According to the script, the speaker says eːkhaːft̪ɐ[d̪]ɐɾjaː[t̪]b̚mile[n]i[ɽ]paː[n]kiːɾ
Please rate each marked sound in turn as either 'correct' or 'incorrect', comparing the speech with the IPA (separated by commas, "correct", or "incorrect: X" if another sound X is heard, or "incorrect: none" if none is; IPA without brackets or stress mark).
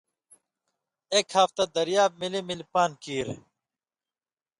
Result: correct, incorrect: none, incorrect: m, incorrect: l, correct